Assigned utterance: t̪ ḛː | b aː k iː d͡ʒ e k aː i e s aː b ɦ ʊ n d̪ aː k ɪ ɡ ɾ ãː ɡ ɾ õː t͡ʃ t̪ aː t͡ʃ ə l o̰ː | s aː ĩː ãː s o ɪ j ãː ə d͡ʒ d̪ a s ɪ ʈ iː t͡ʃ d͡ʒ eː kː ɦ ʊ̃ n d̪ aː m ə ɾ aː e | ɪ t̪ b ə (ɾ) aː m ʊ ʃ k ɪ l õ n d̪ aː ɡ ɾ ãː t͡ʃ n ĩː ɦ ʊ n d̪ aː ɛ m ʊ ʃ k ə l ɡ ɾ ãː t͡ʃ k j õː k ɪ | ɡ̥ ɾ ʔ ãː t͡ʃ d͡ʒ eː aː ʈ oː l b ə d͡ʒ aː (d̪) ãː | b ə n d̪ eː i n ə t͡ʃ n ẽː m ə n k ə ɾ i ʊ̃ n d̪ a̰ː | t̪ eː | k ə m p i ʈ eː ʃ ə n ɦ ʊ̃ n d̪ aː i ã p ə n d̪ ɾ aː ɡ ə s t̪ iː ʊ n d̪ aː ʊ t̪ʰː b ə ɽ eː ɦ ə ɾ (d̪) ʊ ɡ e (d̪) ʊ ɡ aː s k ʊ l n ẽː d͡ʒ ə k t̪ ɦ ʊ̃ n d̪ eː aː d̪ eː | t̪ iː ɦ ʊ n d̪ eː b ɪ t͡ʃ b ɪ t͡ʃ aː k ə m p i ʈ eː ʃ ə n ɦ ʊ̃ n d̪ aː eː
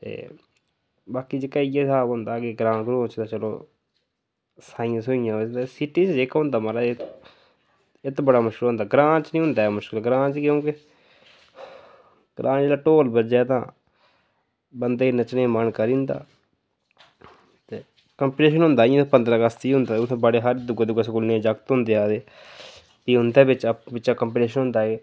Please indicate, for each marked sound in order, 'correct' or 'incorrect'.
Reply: incorrect: ɽ, incorrect: t̪, correct, correct

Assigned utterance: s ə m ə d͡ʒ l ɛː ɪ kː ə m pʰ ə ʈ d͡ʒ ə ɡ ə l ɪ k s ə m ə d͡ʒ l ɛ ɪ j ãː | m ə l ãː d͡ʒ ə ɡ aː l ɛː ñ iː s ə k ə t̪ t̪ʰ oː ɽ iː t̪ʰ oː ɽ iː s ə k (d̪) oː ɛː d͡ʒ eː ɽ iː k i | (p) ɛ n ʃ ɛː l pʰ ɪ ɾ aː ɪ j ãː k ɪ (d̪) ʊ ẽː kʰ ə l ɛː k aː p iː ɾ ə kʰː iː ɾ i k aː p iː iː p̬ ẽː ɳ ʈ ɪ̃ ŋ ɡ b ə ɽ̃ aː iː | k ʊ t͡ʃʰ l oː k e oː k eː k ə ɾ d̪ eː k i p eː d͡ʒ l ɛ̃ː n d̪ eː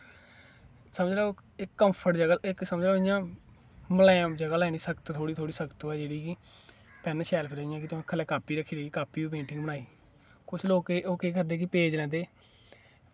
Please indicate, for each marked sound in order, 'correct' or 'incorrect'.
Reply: incorrect: t̪, correct, incorrect: t̪

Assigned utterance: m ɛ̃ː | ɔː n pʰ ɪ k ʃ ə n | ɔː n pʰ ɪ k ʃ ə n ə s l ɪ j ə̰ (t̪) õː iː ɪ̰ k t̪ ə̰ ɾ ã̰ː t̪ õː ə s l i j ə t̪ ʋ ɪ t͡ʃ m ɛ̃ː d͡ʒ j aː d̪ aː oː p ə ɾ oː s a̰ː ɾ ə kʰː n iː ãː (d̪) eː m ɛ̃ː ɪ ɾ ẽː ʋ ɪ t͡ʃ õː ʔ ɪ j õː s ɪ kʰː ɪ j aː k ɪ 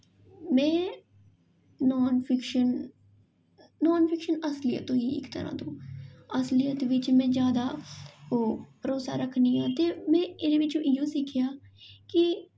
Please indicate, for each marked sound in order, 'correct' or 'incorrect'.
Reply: correct, incorrect: t̪

